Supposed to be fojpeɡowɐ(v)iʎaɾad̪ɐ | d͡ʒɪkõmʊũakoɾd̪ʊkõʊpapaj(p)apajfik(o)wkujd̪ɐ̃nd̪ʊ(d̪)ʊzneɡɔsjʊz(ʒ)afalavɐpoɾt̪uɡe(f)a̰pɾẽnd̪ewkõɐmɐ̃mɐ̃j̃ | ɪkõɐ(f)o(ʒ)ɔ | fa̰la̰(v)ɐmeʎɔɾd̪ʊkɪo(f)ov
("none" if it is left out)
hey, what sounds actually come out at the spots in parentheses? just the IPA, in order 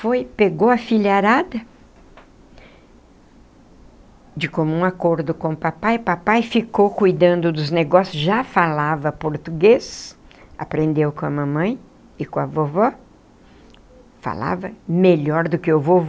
f, p, o, d̪, ʒ, s, v, v, v, v

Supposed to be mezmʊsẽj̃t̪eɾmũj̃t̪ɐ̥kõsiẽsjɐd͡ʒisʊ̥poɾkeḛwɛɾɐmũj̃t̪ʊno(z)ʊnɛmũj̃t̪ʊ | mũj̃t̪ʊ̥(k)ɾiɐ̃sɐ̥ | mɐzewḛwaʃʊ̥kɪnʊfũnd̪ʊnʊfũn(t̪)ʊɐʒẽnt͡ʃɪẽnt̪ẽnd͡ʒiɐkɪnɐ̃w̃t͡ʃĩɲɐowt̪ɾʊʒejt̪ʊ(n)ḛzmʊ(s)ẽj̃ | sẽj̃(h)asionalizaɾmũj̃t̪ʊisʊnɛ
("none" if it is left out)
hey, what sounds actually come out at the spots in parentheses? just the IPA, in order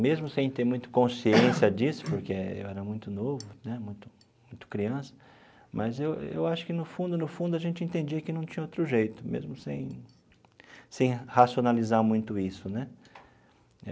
v, k, d̪, m, s, h

